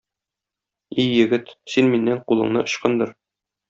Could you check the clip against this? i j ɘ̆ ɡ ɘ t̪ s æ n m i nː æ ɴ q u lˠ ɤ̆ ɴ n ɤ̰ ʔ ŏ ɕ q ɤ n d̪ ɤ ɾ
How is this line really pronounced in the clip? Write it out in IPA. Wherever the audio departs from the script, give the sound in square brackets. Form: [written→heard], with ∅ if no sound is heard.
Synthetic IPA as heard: i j ɘ̆ ɡ ɘ t̪ s [æ→i] n m i nː æ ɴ q u lˠ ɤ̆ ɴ n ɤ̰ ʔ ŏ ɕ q ɤ n d̪ ɤ ɾ